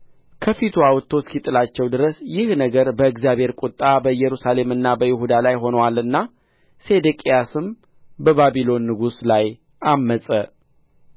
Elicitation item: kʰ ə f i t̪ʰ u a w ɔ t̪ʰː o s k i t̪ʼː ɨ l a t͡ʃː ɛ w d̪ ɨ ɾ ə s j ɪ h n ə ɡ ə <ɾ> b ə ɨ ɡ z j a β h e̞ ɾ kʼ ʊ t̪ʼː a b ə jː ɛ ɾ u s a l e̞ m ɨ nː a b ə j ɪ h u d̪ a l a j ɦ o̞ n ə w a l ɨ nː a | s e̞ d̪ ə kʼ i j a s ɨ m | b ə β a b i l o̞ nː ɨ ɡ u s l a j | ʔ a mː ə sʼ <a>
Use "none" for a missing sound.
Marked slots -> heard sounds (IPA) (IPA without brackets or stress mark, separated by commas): ɾ, ə